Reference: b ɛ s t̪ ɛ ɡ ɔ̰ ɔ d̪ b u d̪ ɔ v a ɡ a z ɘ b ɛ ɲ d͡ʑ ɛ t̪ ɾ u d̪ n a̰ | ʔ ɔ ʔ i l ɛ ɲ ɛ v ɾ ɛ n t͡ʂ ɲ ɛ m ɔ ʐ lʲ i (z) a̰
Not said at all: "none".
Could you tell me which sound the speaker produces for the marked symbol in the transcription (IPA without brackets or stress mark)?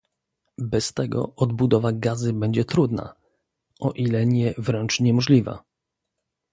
v